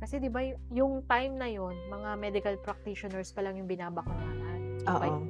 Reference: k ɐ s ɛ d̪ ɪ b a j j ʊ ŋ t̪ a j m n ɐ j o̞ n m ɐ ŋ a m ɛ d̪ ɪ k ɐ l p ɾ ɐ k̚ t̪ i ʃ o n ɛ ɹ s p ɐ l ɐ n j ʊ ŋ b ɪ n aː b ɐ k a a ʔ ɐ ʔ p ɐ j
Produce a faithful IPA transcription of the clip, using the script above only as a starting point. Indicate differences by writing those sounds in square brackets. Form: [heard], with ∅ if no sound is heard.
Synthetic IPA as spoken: k ɐ s ɛ d̪ ɪ b a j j ʊ ŋ t̪ a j m n ɐ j o̞ n m ɐ ŋ a m ɛ d̪ ɪ k ɐ l p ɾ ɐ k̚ t̪ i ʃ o n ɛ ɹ s p ɐ l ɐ [ŋ] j ʊ ŋ b ɪ n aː b ɐ k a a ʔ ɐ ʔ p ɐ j